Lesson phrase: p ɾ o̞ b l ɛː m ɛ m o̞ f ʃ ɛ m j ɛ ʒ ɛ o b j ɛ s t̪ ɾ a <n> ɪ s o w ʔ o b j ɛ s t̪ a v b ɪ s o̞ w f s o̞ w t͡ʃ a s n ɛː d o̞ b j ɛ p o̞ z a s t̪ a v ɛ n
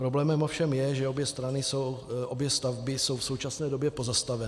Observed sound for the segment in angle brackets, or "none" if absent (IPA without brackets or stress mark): n